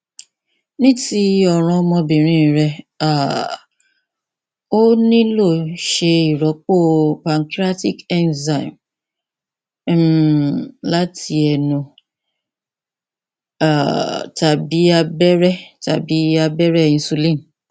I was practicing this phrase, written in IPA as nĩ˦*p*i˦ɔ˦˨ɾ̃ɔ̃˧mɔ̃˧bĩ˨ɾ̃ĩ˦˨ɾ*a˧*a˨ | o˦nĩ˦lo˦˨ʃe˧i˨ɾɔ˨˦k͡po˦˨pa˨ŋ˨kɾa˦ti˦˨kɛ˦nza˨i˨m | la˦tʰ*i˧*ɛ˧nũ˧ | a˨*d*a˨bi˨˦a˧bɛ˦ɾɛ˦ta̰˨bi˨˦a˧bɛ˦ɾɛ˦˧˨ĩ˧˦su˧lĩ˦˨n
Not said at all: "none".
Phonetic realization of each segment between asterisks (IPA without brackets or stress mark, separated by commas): t, ɛ˧, i˧, t